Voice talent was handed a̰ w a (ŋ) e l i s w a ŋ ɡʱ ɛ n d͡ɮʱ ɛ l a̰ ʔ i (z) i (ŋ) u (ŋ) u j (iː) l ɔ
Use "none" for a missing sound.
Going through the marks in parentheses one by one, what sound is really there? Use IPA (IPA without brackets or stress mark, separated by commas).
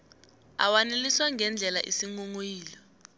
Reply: n, s, ŋ, ŋ, iː